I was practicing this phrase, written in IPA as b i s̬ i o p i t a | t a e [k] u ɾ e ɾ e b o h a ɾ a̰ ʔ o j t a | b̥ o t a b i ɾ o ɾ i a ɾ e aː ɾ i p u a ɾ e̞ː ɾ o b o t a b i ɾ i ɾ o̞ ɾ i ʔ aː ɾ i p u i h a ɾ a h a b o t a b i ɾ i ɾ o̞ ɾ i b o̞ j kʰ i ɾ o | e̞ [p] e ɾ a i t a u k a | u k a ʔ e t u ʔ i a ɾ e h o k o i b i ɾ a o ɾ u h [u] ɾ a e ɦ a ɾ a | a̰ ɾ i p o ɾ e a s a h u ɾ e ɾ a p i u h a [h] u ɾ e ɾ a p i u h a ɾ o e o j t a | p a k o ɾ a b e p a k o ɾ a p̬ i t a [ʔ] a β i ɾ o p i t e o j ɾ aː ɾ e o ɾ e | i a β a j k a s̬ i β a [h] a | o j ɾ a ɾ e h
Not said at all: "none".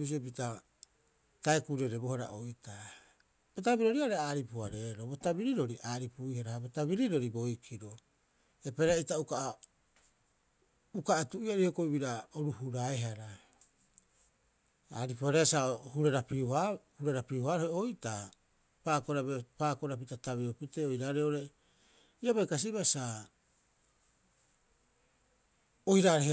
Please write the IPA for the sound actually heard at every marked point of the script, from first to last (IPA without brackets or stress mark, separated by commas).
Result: k, p, u, h, t, s